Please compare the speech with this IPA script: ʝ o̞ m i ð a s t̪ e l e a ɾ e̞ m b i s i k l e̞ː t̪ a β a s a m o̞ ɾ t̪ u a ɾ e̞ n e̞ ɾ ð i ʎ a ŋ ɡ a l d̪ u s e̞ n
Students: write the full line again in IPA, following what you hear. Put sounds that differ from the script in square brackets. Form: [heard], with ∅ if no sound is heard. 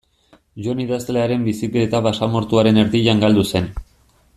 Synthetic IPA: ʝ o̞ [n] i ð a s t̪ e l e a ɾ e̞ m b i s i k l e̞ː t̪ a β a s a m o̞ ɾ t̪ u a ɾ e̞ n e̞ ɾ ð i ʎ a ŋ ɡ a l d̪ u s e̞ n